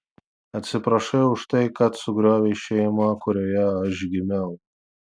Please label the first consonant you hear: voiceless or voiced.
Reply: voiceless